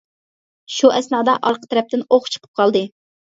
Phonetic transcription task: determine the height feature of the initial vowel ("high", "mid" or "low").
high